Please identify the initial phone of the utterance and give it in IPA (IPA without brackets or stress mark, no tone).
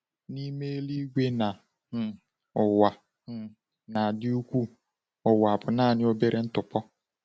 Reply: n